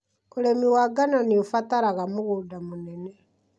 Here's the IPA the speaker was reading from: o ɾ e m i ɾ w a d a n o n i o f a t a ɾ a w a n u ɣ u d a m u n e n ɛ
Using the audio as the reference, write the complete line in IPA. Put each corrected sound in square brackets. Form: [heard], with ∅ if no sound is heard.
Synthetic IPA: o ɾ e m i [∅] w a [ɡ] a n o n i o f a t a ɾ a [ɣ] a [m] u ɣ u d a m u n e n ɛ